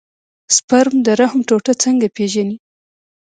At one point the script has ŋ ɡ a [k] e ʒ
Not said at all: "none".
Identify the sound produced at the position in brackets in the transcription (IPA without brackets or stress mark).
p